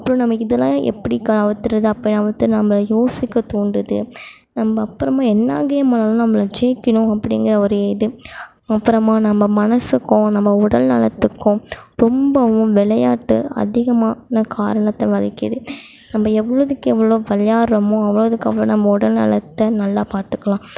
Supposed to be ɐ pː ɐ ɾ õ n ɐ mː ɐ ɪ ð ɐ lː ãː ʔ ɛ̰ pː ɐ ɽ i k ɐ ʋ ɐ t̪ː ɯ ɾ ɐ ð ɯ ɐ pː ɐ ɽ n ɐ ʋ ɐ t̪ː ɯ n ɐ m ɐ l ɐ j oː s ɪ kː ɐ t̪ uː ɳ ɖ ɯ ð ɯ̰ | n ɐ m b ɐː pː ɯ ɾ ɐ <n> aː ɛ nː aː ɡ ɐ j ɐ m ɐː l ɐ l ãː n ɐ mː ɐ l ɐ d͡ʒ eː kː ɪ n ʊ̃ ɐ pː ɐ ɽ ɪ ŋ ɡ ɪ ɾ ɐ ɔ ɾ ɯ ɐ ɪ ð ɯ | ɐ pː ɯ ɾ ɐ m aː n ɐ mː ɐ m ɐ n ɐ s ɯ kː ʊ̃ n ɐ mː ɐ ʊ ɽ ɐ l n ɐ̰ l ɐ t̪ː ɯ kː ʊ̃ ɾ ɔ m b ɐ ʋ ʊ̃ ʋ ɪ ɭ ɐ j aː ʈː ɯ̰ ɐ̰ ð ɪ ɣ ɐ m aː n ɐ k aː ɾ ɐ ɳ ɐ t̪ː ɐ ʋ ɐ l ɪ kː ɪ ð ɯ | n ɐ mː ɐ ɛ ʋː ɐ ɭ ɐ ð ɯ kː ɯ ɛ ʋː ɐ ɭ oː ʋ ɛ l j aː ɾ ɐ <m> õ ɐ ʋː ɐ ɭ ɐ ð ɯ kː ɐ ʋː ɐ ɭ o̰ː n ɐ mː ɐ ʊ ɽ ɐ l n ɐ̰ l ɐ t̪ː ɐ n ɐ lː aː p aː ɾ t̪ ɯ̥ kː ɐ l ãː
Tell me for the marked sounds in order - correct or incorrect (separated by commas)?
incorrect, correct